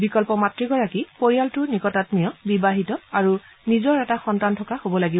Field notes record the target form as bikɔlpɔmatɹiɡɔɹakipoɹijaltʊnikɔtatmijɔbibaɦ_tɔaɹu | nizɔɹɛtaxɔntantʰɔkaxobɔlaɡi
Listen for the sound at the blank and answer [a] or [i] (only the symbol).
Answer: i